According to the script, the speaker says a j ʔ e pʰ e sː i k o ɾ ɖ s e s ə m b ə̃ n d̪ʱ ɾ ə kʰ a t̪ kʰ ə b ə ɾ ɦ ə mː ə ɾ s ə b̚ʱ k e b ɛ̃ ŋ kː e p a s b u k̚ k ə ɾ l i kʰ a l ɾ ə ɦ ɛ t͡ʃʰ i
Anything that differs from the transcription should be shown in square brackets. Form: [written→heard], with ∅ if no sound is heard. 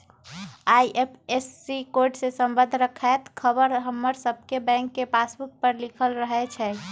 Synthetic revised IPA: a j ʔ e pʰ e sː i k o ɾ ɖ s e s ə m b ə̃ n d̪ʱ ɾ ə kʰ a t̪ kʰ ə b ə ɾ ɦ ə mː ə ɾ s ə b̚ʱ k e b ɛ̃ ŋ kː e p a s b u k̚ [k→p] ə ɾ l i kʰ [a→ə] l ɾ ə ɦ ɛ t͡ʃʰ [i→ɛ]